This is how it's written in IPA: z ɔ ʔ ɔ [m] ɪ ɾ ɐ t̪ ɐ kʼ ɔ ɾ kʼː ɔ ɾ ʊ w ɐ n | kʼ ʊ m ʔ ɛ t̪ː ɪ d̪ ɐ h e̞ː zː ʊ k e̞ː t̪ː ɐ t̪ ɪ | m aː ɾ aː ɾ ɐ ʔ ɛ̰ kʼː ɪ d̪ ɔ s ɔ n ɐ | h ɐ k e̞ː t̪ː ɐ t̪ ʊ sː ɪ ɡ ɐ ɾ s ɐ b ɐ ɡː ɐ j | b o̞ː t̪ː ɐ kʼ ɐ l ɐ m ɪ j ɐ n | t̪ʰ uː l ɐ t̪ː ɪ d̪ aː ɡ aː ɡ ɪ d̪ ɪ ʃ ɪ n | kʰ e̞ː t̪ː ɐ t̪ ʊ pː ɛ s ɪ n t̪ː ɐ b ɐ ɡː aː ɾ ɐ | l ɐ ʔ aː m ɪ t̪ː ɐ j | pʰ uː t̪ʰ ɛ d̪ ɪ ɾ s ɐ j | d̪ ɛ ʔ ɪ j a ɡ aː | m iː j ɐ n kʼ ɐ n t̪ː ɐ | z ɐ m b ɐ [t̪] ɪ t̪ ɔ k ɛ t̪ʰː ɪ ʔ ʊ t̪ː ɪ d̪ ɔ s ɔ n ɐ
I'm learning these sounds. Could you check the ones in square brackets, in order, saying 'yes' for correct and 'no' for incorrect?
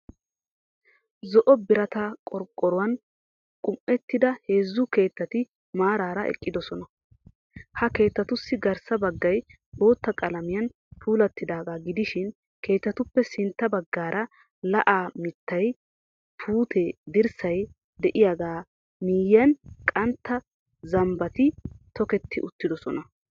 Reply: no, yes

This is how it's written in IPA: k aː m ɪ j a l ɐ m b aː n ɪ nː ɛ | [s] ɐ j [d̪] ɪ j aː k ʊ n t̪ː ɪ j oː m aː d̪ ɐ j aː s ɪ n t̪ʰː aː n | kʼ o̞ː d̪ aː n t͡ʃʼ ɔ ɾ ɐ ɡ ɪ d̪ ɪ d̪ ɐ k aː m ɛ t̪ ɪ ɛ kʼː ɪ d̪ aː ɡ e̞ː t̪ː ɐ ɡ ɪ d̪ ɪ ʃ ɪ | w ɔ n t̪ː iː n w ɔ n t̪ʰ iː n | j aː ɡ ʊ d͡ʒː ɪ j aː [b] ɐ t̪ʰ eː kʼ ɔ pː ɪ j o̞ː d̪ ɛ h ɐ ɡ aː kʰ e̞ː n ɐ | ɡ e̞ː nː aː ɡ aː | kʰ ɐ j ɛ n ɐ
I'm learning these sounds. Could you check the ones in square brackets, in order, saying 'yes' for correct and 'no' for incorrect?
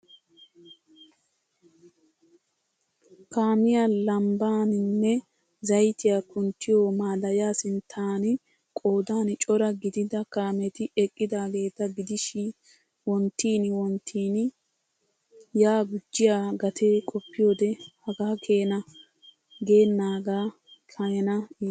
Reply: no, no, no

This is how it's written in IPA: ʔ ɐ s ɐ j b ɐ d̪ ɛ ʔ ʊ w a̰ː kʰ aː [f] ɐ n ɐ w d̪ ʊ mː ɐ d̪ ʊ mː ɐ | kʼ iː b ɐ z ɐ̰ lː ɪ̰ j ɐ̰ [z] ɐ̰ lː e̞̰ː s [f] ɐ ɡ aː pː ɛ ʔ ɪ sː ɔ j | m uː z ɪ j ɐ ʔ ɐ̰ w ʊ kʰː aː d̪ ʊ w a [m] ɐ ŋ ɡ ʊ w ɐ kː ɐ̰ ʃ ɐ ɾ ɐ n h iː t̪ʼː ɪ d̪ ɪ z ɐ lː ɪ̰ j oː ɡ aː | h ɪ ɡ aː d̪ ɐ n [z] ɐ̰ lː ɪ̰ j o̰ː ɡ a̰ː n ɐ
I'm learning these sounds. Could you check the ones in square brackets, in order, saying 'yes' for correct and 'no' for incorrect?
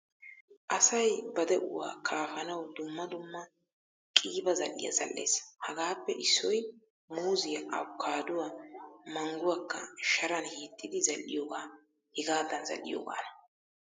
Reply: yes, yes, no, yes, yes

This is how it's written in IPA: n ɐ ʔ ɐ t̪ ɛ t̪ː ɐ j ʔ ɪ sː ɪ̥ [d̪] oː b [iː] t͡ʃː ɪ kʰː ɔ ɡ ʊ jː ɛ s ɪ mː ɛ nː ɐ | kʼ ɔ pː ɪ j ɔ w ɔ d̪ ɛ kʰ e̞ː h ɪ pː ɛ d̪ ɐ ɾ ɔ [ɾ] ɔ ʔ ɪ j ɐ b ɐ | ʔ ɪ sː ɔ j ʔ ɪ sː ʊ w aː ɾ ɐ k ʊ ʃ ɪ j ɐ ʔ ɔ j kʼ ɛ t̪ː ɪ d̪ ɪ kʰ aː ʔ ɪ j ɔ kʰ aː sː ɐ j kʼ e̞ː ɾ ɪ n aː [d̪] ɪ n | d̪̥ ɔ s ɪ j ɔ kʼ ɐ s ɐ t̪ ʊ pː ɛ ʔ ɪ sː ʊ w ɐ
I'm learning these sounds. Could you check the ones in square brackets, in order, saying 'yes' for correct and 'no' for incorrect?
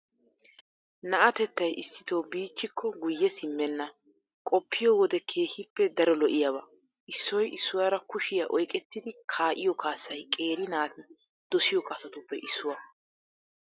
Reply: no, yes, no, no

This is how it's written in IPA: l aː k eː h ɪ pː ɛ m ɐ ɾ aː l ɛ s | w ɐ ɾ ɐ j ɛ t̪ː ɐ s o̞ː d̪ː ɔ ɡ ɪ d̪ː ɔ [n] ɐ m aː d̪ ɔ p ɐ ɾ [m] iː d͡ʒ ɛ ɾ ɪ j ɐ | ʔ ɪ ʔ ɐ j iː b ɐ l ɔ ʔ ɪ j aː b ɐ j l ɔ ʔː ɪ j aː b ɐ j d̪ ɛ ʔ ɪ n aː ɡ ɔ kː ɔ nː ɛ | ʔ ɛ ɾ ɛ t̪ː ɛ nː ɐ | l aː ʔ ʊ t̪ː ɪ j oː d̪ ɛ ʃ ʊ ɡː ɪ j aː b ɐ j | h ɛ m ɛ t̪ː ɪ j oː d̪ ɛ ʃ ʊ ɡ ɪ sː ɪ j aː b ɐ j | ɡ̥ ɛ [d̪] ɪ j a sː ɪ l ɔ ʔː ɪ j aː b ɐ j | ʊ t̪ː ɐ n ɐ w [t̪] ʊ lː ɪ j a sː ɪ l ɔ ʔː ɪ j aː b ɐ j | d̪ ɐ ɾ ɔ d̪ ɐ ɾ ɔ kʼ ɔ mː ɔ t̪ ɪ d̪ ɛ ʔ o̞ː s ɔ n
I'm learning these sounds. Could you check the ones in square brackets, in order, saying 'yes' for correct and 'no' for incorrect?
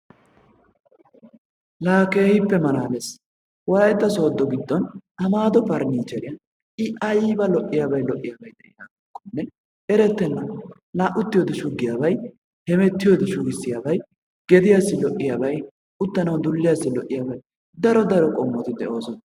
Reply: yes, no, yes, no

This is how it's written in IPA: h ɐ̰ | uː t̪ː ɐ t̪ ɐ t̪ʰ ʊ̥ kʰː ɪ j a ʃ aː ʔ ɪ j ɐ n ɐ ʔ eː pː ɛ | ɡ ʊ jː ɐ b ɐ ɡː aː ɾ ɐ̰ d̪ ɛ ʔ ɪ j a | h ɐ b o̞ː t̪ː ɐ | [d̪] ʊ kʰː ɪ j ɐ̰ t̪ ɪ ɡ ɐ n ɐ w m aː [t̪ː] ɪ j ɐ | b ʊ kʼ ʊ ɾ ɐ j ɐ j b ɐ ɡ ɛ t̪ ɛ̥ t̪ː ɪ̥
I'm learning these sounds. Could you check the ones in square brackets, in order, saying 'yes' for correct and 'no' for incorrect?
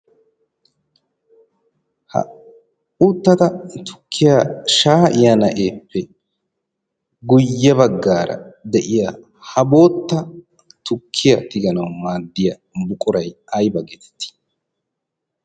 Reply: no, no

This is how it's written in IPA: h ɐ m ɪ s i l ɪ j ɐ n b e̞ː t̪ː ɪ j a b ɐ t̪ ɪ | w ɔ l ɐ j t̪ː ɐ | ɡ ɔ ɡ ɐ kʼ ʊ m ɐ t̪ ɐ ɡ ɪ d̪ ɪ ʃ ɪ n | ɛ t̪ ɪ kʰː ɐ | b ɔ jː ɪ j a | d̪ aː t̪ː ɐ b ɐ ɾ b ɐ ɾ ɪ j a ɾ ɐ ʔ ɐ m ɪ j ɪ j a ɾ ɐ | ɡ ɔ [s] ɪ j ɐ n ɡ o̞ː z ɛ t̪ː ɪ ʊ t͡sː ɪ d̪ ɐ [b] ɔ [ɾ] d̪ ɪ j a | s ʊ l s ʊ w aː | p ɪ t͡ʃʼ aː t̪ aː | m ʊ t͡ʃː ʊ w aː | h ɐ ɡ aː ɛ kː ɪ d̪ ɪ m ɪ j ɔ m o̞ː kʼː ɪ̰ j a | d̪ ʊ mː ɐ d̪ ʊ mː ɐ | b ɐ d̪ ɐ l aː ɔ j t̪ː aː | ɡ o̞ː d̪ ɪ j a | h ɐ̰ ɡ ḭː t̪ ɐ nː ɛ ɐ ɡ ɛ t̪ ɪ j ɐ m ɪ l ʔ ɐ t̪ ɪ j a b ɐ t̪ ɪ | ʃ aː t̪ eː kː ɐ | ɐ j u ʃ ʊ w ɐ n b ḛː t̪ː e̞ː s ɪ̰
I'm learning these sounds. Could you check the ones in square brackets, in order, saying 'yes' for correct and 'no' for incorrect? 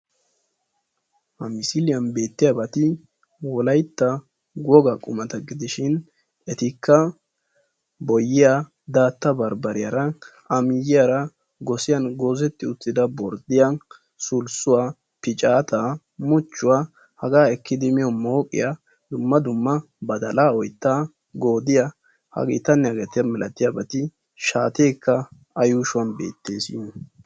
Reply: yes, yes, yes

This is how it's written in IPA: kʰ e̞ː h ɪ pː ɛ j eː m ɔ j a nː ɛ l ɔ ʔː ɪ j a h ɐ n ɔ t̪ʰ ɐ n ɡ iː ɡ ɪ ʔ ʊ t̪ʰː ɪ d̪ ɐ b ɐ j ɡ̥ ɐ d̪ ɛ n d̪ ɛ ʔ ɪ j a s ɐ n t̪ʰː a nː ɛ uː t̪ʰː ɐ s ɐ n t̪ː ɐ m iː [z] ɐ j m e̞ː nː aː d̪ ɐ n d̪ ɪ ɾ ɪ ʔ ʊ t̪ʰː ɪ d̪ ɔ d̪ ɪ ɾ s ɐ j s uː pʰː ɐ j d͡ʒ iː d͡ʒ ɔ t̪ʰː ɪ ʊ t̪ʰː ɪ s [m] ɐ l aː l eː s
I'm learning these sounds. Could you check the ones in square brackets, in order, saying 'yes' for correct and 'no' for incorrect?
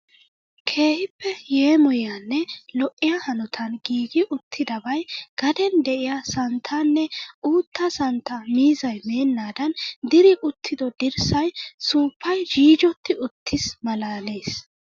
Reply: yes, yes

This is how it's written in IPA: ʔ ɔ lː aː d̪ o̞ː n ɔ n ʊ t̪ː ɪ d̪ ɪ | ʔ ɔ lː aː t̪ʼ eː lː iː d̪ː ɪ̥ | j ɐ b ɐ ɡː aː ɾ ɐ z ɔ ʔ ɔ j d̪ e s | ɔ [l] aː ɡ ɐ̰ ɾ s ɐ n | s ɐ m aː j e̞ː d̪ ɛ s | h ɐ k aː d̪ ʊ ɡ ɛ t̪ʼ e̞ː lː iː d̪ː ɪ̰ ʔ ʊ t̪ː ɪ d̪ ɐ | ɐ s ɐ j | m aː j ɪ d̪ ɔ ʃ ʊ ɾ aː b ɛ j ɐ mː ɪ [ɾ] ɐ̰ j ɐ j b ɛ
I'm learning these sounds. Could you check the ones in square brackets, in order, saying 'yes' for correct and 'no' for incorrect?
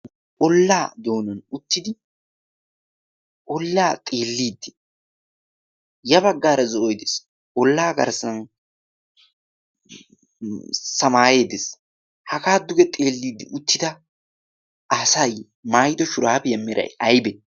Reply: no, yes

